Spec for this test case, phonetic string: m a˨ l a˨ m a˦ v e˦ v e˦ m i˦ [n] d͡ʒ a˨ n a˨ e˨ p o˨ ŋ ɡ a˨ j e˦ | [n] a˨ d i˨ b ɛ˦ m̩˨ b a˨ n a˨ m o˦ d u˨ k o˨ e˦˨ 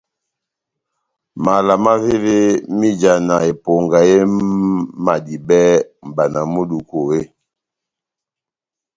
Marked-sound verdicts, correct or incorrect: incorrect: none, incorrect: m

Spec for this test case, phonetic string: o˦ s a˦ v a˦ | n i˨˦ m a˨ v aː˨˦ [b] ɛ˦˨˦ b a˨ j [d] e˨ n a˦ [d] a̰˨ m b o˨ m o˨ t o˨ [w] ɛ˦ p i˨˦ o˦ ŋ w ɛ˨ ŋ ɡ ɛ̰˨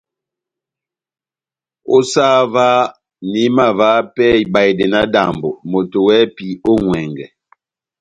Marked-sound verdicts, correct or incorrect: incorrect: p, correct, correct, correct

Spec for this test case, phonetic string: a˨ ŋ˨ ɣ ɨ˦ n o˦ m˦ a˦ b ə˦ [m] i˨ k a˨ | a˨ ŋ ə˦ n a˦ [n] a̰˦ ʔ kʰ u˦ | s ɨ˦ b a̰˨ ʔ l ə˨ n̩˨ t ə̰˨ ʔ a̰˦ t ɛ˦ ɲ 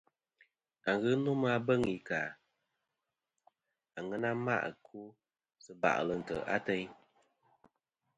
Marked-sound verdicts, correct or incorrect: incorrect: ŋ, incorrect: m

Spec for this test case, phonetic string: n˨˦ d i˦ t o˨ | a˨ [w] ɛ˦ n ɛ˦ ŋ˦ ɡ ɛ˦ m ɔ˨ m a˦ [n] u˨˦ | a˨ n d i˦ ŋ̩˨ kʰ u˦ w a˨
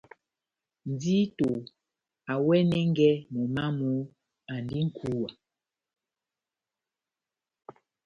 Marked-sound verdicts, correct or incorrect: correct, incorrect: m

